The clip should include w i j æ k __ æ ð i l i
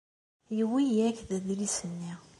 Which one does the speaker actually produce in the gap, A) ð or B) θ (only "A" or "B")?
A